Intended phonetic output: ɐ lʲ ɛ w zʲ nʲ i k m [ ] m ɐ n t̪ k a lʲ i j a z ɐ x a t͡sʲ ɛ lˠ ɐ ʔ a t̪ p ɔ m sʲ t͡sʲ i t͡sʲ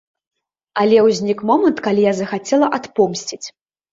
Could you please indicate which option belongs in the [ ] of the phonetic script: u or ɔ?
ɔ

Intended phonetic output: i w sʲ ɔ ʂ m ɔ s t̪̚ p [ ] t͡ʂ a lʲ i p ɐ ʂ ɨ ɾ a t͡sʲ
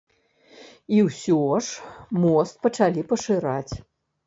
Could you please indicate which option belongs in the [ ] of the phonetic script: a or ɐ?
ɐ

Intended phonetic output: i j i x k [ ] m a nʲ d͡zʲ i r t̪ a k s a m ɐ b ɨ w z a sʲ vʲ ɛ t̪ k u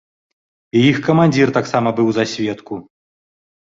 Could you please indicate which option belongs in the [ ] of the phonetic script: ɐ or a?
ɐ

